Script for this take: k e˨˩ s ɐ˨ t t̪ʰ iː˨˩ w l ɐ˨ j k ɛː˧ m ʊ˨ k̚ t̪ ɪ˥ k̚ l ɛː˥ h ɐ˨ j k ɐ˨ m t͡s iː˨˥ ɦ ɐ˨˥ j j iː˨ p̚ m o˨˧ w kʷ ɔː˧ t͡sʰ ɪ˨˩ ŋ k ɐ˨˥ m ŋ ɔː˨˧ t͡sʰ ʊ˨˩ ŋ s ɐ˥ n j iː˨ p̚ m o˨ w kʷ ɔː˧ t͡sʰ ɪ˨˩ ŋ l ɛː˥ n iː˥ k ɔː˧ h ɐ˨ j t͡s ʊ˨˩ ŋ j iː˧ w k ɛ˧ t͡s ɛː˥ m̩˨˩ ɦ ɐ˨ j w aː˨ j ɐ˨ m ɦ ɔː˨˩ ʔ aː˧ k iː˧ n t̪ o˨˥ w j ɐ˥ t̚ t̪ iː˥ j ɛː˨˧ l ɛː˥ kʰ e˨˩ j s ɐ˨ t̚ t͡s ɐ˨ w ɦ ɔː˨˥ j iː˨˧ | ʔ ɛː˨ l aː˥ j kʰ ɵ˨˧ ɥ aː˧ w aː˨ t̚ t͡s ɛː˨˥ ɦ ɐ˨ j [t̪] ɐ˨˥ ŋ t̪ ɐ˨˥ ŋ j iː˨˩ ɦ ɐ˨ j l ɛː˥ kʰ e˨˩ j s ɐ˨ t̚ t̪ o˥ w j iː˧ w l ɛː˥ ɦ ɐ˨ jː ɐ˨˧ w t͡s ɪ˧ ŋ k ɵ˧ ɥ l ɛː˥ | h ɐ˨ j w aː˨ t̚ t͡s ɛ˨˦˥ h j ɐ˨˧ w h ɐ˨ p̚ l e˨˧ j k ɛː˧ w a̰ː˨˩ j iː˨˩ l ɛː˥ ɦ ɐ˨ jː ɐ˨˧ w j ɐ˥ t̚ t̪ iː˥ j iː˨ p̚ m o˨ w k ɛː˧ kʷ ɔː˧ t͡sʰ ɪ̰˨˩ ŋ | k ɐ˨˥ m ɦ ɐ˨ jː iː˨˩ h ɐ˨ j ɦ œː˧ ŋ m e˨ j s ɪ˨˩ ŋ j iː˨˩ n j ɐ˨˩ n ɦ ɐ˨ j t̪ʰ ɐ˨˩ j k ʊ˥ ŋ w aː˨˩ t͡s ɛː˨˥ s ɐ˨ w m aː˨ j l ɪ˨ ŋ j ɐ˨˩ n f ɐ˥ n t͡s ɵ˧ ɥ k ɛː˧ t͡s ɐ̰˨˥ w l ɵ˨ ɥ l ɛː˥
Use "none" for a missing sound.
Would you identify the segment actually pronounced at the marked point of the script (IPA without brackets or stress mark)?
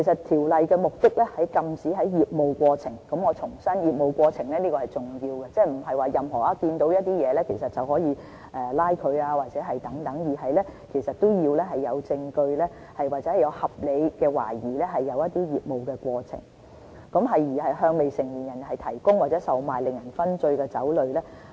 t̪